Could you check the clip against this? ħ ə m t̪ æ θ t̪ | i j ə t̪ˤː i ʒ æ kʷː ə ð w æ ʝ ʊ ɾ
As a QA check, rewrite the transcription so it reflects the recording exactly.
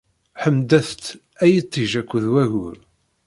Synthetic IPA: ħ ə m d̪ æ θ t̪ | æ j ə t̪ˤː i ʒ æ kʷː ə ð w æ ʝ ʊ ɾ

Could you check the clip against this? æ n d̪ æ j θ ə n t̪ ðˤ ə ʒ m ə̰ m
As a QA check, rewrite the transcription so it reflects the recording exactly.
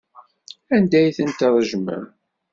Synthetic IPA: æ n d̪ æ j θ ə n t̪ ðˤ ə ʒ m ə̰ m

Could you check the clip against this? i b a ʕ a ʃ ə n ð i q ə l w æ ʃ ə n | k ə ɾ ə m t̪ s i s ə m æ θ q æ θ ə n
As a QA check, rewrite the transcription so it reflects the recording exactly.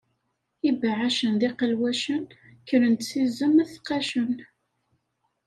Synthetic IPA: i b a ʕ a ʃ ə n ð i q ə l w æ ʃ ə n | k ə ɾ ə n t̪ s i z ə m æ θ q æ ʃ ə n

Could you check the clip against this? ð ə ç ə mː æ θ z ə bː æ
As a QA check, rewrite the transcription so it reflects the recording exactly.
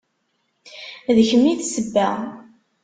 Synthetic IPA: ð ə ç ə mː i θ s ə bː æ

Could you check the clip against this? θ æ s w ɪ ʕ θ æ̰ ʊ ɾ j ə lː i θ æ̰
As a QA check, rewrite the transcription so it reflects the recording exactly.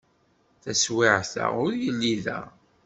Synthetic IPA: θ æ s w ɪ ʕ θ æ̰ ʊ ɾ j ə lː i ð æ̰

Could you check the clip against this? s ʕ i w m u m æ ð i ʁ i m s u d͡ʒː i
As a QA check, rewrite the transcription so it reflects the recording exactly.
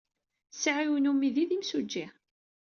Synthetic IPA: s ʕ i w n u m i ð i ð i m s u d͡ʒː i

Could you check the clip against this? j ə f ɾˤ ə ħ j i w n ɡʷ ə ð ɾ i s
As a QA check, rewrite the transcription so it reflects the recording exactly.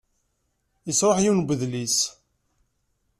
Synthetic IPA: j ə s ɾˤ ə ħ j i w n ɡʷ ə ð l i s

